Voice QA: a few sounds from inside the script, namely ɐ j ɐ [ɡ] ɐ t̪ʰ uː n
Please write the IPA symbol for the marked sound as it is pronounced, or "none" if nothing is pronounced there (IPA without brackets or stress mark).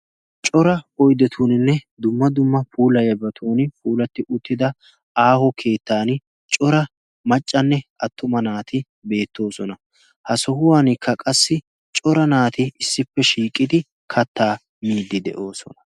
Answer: b